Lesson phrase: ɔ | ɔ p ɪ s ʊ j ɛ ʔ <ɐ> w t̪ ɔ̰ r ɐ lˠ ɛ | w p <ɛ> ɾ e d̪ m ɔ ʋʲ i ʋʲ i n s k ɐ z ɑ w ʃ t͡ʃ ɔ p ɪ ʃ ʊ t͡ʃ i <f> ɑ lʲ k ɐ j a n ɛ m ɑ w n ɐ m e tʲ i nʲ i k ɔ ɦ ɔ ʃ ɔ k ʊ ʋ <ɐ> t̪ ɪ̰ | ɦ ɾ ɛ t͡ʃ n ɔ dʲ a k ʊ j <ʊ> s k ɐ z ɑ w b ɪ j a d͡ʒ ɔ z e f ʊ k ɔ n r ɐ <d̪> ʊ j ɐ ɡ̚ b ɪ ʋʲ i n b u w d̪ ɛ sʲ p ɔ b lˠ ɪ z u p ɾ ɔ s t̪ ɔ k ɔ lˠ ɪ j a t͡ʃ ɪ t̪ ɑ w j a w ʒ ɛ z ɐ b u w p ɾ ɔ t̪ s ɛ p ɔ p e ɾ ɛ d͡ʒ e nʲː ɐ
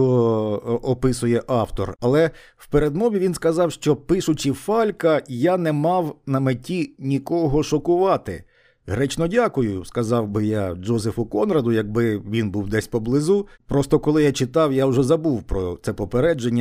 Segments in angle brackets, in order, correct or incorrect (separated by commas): incorrect, incorrect, correct, incorrect, correct, correct